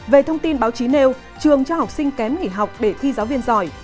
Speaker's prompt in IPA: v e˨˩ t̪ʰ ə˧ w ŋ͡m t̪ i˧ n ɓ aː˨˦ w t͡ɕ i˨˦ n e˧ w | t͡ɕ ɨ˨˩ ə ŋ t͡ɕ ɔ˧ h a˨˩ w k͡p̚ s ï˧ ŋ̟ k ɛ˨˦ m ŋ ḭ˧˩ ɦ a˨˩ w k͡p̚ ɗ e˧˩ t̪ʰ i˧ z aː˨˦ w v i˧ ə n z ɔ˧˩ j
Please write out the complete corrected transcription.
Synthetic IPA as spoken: v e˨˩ t̪ʰ ə˧ w ŋ͡m t̪ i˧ n ɓ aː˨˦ w t͡ɕ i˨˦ n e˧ w | t͡ɕ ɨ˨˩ ə ŋ t͡ɕ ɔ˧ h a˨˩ w k͡p̚ s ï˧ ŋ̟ k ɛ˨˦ m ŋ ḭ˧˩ ɦ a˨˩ w k͡p̚ ɗ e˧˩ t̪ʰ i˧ z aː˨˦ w v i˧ ə n z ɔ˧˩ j

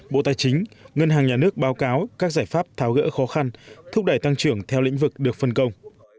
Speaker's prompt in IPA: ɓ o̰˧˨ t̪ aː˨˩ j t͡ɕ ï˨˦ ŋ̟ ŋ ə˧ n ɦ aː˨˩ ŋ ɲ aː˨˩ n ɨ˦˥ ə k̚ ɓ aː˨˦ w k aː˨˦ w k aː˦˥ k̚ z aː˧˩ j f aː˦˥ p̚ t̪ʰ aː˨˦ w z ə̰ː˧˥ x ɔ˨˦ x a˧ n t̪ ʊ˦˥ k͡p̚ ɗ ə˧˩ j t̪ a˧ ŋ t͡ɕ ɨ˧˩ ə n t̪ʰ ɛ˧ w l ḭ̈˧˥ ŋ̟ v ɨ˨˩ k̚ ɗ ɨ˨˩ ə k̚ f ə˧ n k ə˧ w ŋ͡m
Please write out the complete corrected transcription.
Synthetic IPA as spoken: ɓ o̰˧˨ t̪ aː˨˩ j t͡ɕ ï˨˦ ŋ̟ ŋ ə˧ n ɦ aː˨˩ ŋ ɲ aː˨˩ n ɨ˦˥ ə k̚ ɓ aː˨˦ w k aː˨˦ w k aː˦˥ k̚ z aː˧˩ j f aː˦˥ p̚ t̪ʰ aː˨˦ w ɣ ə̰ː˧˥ x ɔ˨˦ x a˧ n t̪ʰ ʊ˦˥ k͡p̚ ɗ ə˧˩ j t̪ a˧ ŋ t͡ɕ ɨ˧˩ ə ŋ t̪ʰ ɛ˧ w l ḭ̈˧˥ ŋ̟ v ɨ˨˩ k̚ ɗ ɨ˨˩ ə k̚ f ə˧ n k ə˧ w ŋ͡m

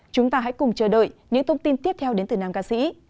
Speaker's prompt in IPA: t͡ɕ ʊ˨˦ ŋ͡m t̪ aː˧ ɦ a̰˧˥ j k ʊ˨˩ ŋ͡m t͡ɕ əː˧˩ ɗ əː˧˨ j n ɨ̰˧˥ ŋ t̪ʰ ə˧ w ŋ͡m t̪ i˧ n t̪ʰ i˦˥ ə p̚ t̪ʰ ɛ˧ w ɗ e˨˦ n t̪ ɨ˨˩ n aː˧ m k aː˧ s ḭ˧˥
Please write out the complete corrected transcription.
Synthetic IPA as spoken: t͡ɕ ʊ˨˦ ŋ͡m t̪ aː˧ ɦ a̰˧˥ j k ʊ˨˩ ŋ͡m t͡ɕ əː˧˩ ɗ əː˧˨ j ɲ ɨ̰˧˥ ŋ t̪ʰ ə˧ w ŋ͡m t̪ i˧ n t̪ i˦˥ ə p̚ t̪ʰ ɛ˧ w ɗ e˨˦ n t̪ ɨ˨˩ n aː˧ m k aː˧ s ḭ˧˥

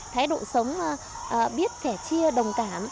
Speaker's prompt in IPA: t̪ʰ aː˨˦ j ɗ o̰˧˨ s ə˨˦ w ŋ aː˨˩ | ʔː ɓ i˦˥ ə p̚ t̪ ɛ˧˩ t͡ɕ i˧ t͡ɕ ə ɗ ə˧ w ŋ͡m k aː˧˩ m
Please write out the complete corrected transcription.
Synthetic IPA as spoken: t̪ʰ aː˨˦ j ɗ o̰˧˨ s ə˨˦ w ŋ͡m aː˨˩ | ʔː ɓ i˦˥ ə t̚ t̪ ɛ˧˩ t͡ɕ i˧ ə ɗ ə˨˩ w ŋ͡m k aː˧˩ m

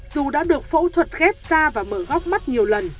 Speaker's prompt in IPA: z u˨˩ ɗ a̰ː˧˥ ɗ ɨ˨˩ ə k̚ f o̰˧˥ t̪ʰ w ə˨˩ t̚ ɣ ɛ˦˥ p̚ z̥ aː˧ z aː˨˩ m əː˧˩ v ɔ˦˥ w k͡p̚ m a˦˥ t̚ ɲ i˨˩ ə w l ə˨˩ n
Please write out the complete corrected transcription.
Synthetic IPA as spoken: z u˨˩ ɗ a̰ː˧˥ ɗ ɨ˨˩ ə k̚ f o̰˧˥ t̪ʰ w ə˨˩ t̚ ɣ ɛ˦˥ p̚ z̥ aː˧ v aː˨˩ m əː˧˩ ɣ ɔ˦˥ w k͡p̚ m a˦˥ t̚ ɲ i˨˩ ə w l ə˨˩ n

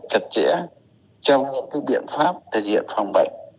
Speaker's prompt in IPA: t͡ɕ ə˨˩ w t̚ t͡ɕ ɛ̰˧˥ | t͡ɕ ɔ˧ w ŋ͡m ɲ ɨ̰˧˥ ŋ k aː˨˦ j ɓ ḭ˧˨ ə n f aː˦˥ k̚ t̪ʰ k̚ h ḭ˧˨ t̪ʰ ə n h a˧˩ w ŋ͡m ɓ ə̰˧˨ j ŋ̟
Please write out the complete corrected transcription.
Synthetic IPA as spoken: t͡ɕ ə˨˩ t̚ t͡ɕ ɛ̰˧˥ | t͡ɕ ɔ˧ w ŋ͡m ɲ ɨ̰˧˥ ŋ k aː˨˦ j ɓ ḭ˧˨ ə n f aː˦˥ p̚ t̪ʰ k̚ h ḭ˧˨ ə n f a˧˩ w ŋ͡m ɓ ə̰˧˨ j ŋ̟

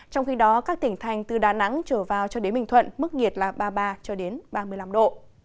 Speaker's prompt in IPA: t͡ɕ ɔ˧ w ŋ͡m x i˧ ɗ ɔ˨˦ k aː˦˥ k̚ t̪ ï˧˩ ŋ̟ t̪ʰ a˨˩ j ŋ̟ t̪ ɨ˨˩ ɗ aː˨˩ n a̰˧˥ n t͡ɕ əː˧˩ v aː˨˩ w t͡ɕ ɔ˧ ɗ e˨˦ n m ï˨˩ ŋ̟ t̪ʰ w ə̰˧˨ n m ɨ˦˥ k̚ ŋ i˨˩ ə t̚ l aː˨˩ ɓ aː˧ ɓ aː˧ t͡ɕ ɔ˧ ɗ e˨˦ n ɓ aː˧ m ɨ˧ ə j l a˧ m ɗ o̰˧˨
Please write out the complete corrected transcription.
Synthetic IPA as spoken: t͡ɕ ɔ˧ w ŋ͡m x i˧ ɗ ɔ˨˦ k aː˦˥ k̚ t̪ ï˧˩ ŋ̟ t̪ʰ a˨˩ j ŋ̟ t̪ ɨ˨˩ ɗ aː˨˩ n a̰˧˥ ŋ t͡ɕ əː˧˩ v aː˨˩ w t͡ɕ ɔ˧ ɗ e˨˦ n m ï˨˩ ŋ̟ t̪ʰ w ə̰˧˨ n m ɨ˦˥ k̚ ŋ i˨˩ ə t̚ l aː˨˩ ɓ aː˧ ɓ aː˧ t͡ɕ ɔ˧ ɗ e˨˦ n ɓ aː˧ m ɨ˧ ə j l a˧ m ɗ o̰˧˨

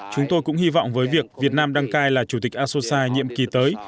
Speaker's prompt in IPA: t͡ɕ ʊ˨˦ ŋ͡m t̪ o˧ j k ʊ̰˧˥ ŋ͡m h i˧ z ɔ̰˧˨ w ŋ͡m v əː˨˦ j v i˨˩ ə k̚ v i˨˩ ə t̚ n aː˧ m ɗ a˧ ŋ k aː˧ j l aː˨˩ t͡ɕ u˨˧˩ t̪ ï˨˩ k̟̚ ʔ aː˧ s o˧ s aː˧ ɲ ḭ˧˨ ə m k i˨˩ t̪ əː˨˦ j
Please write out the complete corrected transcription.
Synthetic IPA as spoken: t͡ɕ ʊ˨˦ ŋ͡m t̪ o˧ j k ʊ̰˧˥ ŋ͡m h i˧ v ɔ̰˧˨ w ŋ͡m v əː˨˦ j v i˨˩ ə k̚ v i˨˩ ə t̚ n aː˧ m ɗ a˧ ŋ k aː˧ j l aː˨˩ t͡ɕ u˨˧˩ t̪ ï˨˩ k̟̚ ʔ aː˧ s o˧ s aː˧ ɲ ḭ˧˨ ə m k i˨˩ t̪ əː˨˦ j

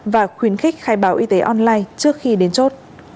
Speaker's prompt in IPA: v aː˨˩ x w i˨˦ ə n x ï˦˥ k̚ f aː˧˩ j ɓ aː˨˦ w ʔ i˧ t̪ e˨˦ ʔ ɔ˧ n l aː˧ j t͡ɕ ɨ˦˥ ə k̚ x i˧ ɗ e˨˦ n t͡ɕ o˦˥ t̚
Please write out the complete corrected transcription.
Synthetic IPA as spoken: v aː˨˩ x w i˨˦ ə n x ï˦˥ k̚ x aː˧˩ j ɓ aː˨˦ w ʔ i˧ t̪ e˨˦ ʔ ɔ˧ n l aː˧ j t͡ɕ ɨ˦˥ ə k̚ x i˧ ɗ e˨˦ n t͡ɕ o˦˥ t̚

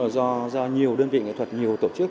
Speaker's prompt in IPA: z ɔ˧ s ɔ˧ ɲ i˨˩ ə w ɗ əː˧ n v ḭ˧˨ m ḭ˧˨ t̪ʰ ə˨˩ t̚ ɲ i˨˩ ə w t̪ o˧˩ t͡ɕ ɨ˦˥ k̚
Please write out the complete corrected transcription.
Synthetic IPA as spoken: z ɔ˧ z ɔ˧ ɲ i˨˩ ə w ɗ əː˧ n v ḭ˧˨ ŋ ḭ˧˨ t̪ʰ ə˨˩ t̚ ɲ i˨˩ ə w t̪ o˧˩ t͡ɕ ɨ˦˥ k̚

